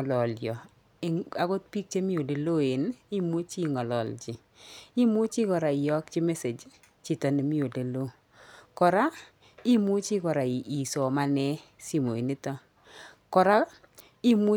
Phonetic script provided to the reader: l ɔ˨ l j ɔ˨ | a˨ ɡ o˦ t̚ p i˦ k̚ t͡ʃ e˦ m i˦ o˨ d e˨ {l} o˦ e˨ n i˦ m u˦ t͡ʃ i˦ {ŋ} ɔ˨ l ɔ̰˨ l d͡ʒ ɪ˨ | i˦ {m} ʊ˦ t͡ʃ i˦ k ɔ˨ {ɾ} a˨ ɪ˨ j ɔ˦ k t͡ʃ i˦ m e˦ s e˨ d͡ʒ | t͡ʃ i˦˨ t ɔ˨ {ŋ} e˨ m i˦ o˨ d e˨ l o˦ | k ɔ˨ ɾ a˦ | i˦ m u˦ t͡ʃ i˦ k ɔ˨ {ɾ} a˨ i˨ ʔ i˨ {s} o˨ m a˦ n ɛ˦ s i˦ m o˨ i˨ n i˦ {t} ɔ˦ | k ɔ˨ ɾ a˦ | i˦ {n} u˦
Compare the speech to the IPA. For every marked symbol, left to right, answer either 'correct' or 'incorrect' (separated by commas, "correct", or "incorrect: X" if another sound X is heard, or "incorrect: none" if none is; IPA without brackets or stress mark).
correct, correct, correct, correct, incorrect: n, correct, correct, correct, incorrect: m